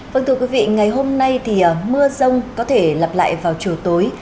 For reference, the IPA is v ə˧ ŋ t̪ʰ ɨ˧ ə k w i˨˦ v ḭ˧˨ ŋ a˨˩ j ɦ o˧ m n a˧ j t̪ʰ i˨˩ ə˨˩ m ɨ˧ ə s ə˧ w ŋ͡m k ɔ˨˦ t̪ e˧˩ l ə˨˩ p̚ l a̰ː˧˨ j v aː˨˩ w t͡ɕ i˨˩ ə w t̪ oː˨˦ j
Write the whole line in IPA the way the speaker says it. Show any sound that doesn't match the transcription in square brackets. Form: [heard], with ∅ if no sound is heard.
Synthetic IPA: v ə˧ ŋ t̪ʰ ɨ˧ ə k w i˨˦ v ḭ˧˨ ŋ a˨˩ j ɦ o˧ m n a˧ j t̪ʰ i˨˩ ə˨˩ m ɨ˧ ə [z] ə˧ w ŋ͡m k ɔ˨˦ [t̪ʰ] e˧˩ l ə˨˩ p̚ l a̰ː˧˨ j v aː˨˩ w t͡ɕ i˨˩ ə w t̪ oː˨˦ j